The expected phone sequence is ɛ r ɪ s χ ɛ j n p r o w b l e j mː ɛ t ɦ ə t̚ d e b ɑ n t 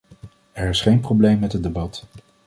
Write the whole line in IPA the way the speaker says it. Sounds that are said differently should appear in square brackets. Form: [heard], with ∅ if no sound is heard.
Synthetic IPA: ɛ [ɹ] ɪ s χ [e] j n p r o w b l e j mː ɛ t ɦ ə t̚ d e b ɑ [∅] t